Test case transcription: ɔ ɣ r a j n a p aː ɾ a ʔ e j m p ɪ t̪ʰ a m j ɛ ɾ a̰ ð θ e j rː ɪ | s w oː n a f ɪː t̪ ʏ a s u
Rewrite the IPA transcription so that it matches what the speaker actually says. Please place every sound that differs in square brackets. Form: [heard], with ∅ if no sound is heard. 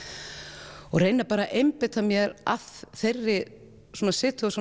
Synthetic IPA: ɔ ɣ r [e] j n a p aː ɾ a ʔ e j m p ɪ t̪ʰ a m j ɛ ɾ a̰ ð θ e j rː ɪ | s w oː n a [s] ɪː t̪ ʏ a s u